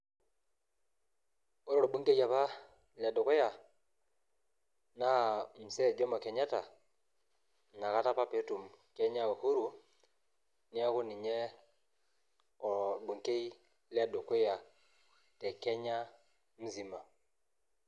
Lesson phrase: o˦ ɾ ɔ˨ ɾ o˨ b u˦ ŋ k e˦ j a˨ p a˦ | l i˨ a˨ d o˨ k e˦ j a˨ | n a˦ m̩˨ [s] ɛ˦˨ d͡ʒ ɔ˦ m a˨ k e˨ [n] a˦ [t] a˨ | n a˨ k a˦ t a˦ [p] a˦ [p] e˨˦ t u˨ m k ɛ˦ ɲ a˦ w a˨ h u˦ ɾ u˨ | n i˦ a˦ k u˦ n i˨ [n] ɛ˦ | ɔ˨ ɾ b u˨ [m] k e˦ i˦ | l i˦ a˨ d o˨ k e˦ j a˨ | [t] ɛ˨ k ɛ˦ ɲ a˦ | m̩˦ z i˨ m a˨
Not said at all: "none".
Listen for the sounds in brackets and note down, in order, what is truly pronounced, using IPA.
s, ɲ, t, p, p, ɲ, ŋ, t

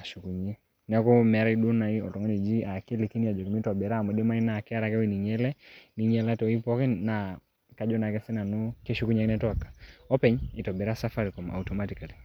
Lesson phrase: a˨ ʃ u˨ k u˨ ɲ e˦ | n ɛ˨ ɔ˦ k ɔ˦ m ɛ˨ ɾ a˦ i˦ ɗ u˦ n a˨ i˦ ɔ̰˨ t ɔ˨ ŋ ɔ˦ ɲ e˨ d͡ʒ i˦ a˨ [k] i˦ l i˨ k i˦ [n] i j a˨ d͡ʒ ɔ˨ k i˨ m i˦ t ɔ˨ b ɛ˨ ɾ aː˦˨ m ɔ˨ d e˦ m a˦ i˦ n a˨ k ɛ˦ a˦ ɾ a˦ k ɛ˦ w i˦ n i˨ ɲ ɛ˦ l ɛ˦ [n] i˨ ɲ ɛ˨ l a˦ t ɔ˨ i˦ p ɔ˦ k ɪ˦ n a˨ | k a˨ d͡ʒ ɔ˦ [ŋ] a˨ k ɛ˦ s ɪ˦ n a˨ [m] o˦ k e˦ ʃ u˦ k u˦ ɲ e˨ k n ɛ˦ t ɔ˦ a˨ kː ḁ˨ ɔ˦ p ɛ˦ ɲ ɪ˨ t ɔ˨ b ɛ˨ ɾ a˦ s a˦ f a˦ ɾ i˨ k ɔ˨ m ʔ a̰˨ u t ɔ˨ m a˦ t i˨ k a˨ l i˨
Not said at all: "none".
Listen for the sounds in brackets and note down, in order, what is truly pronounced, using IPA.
k, n, n, n, n

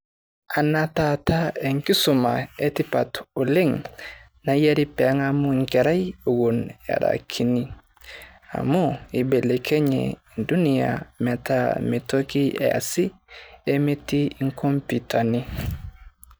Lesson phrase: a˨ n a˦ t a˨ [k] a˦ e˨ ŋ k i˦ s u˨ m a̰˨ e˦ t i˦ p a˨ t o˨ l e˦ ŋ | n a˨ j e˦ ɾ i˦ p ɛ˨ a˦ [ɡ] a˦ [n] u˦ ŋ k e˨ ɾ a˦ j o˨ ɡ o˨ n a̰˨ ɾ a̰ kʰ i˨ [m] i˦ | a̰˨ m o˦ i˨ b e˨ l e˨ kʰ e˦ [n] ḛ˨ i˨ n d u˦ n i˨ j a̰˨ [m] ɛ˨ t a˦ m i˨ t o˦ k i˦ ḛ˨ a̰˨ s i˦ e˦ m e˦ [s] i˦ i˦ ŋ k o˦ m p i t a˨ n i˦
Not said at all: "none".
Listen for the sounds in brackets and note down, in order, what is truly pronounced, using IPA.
t, ŋ, m, n, ɲ, m, t

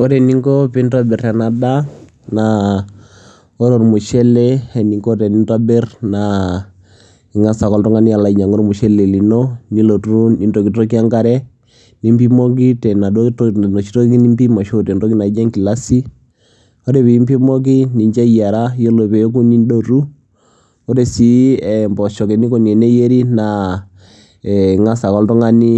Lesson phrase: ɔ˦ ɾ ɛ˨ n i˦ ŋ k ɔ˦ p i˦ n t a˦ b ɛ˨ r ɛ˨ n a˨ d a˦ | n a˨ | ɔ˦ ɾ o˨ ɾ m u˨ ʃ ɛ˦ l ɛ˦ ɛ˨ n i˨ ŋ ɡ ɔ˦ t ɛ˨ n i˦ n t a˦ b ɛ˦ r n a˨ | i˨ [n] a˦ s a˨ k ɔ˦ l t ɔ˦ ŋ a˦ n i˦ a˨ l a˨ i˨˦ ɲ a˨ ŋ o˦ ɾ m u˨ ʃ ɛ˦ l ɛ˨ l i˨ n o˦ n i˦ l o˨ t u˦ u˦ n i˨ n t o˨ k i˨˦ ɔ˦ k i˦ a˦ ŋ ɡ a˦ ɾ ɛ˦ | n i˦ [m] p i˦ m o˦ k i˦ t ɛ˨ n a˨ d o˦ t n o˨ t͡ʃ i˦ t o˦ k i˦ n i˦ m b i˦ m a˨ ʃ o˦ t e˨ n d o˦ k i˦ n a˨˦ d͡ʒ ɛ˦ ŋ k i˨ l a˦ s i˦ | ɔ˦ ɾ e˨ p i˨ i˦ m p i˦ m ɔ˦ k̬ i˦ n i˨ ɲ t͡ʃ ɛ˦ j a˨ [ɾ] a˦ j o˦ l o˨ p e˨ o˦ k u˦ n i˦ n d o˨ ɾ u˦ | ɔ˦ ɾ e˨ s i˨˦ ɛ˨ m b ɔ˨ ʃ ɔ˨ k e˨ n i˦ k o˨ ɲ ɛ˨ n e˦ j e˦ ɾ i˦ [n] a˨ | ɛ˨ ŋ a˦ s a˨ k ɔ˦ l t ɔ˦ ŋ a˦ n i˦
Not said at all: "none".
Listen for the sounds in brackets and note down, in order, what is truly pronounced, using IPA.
ŋ, m, ɾ, n

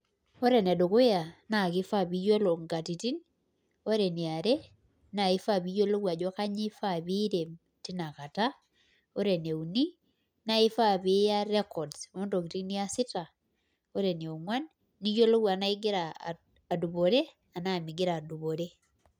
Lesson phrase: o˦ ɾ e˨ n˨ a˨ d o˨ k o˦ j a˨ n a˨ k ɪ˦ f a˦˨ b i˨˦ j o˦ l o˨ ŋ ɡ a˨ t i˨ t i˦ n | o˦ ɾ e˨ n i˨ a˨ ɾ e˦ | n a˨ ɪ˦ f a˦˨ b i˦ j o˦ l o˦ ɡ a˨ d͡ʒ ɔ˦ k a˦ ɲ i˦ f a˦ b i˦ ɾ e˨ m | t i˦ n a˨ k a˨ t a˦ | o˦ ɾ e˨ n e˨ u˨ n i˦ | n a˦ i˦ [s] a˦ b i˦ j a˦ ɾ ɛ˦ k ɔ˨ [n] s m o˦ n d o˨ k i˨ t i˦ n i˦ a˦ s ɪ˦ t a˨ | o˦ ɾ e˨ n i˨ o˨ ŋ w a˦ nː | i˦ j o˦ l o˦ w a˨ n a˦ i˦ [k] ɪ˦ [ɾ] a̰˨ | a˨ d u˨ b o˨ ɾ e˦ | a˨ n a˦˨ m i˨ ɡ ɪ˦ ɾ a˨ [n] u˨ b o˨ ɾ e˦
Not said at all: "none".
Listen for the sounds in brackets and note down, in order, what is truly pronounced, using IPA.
f, d, ɡ, ɾ, d

